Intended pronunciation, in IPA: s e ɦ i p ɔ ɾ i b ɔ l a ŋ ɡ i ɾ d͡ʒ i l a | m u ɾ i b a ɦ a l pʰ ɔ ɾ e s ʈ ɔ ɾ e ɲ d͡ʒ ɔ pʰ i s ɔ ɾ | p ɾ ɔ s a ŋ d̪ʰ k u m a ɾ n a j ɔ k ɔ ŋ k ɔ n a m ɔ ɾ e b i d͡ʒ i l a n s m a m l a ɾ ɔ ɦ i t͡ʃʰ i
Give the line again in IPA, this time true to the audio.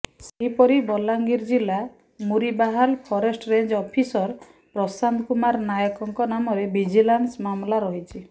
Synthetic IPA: s e ɦ i p ɔ ɾ i b ɔ l a ŋ ɡ i ɾ d͡ʒ i l a | m u ɾ i b a ɦ a l pʰ ɔ ɾ e s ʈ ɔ ɾ e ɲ d͡ʒ ɔ pʰ i s ɔ ɾ | p ɾ ɔ s a n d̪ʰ k u m a ɾ n a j ɔ k ɔ ŋ k ɔ n a m ɔ ɾ e b i d͡ʒ i l a n s m a m l a ɾ ɔ ɦ i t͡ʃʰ i